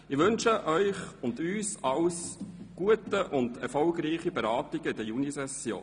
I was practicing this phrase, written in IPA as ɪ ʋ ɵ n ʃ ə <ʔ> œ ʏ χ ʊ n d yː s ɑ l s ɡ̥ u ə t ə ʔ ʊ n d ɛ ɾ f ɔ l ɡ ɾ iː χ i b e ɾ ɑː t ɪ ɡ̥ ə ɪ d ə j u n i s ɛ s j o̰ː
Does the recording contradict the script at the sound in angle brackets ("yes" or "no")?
no